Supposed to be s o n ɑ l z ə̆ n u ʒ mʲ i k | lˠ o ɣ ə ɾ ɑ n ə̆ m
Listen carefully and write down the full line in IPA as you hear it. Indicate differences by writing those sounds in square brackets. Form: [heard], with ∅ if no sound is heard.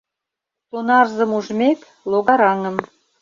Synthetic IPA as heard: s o n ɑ [r] z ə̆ [m] u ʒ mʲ [e] k | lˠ o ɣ [ɑ] ɾ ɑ [ŋ] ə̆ m